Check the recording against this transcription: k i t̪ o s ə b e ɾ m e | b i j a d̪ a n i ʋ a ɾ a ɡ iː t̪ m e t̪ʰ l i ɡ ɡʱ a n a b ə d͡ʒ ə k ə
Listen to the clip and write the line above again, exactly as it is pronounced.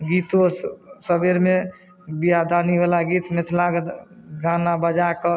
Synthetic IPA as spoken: ɡ i t̪ o s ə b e ɾ m e | b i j a d̪ a n i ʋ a l a ɡ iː t̪ m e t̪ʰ l a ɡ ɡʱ a n a b ə d͡ʒ a k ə